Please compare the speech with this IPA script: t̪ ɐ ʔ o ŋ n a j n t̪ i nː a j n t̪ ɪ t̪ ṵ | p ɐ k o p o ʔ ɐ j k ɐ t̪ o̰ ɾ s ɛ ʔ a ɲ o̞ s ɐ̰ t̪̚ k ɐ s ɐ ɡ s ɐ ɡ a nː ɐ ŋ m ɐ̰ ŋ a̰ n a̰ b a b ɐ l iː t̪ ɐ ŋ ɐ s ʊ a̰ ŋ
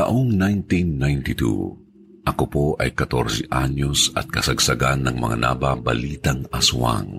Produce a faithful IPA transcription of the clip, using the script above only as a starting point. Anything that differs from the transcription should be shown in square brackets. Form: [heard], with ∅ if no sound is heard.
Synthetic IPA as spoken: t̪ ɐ ʔ o ŋ n a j n t̪ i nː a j n t̪ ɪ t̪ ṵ | [ʔ] ɐ k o p o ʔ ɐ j k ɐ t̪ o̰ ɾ s ɛ ʔ a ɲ o̞ s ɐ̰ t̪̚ k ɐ s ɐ ɡ s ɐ ɡ a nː ɐ ŋ m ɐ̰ ŋ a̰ n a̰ b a b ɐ l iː t̪ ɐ ŋ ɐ s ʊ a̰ ŋ